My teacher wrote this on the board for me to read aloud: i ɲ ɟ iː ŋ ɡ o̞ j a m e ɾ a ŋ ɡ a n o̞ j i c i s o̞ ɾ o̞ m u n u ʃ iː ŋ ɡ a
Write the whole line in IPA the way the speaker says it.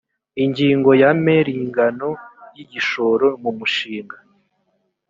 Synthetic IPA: i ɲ ɟ iː ŋ ɡ o̞ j a m e ɾ i ŋ ɡ a n o̞ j i ɟ i ʃ o̞ ɾ o̞ m u m u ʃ iː ŋ ɡ a